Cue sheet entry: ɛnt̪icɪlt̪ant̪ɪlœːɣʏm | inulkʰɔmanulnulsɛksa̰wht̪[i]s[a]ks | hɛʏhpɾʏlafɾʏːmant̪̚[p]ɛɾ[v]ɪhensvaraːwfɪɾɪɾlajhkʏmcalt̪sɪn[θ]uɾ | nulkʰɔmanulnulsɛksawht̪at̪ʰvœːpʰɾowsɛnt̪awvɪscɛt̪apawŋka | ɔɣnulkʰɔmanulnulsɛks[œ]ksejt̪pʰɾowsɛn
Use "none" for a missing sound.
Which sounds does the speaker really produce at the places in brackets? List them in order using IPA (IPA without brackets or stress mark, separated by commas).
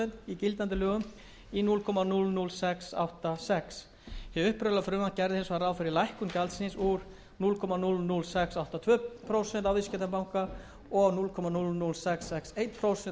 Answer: a, ɛ, c, ð, s, ɛ